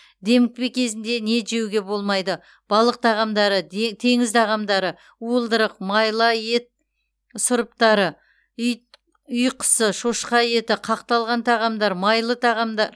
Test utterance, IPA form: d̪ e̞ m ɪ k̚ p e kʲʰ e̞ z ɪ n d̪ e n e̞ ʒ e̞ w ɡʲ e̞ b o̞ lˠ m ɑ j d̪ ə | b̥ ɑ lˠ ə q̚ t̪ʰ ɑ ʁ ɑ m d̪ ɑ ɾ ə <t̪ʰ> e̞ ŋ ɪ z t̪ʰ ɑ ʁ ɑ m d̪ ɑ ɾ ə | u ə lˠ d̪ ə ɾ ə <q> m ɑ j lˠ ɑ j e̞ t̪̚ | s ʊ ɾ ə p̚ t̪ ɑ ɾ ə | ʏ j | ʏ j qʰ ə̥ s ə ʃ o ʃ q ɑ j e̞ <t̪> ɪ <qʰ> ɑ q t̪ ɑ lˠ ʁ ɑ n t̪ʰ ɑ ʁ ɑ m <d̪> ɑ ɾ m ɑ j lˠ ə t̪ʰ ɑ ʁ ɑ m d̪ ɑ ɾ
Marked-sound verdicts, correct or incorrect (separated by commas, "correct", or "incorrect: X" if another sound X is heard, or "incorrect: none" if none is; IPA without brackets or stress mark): correct, correct, correct, correct, correct